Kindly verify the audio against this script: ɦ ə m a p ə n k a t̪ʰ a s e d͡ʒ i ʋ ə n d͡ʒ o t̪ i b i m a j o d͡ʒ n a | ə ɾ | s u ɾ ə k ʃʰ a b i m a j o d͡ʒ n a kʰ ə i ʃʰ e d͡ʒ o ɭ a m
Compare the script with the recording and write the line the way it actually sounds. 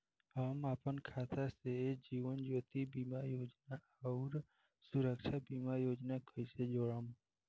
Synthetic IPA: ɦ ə m a p ə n kʰ a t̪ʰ a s e d͡ʒ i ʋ ə n d͡ʒ o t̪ i b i m a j o d͡ʒ n a | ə ɾ | s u ɾ ə k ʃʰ a b i m a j o d͡ʒ n a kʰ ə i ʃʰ e d͡ʒ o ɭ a m